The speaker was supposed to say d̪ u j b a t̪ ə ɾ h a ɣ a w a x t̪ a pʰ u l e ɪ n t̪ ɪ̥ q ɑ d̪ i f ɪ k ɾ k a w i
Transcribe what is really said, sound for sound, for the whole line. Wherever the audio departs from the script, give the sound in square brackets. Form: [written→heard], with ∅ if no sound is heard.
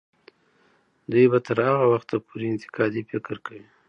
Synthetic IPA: d̪ u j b a t̪ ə ɾ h a ɣ a w a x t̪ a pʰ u [l→ɾ] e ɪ n t̪ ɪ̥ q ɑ d̪ i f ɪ k ɾ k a w i